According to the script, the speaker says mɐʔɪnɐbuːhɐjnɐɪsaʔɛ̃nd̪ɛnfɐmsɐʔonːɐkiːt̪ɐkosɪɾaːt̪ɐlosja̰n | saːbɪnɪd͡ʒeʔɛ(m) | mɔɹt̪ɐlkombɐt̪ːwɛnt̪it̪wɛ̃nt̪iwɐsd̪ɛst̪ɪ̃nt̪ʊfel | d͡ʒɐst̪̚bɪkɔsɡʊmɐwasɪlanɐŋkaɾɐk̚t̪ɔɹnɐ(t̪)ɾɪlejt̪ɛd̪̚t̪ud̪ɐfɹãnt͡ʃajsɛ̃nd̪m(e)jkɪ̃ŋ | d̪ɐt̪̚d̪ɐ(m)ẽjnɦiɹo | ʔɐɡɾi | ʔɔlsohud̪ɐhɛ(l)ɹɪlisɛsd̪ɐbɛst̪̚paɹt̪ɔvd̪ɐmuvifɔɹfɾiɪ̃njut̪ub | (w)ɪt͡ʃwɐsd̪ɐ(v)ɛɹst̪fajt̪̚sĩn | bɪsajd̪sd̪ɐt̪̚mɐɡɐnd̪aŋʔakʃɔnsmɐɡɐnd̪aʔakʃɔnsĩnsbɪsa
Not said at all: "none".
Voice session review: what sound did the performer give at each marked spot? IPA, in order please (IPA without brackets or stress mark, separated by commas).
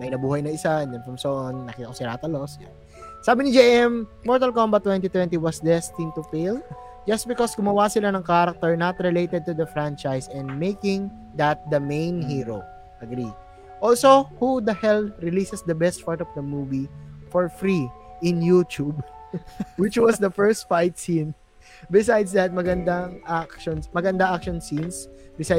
m, t̪, e, m, l, w, f